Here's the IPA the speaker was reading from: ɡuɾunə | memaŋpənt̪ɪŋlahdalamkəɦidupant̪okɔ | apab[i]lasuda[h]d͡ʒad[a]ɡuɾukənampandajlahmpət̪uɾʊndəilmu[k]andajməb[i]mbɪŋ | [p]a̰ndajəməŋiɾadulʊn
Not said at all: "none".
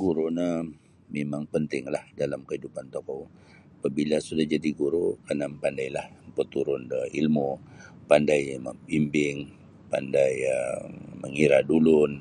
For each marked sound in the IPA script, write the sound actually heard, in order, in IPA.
i, h, i, p, i, p

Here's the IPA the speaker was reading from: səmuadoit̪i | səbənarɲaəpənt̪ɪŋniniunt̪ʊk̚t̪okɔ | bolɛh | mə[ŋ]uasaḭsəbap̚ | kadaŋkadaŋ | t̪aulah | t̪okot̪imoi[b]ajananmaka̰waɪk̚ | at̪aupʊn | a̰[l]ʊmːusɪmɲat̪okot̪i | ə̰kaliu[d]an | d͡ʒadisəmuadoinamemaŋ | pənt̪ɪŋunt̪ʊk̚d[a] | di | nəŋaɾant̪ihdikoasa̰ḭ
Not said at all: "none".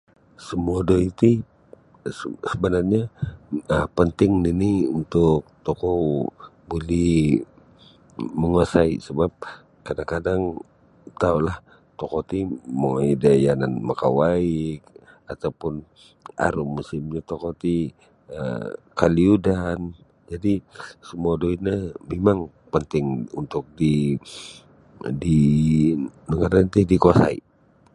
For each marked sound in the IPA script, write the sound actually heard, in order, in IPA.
ŋ, d, ɾ, d, i

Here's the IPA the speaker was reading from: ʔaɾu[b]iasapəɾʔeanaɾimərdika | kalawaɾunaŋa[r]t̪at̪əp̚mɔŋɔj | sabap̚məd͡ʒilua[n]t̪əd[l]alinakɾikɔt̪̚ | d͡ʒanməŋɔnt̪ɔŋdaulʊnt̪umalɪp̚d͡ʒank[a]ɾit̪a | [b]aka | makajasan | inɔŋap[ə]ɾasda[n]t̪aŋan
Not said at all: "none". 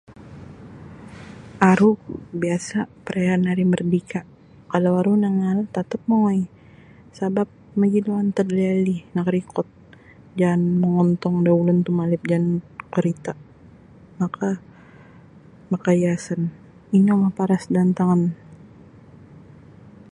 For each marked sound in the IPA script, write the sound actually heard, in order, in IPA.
b, l, n, l, ə, m, a, n

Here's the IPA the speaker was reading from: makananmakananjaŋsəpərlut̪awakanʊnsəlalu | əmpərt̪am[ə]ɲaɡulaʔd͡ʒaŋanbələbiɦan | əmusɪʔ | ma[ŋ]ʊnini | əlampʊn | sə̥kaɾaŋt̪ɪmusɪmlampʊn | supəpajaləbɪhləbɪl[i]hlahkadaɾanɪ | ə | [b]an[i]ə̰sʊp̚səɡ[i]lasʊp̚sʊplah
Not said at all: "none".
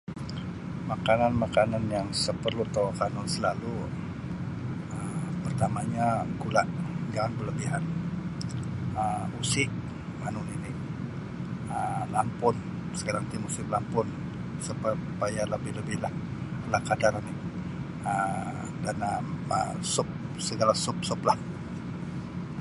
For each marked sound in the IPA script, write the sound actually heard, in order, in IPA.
a, n, a, d, a, a

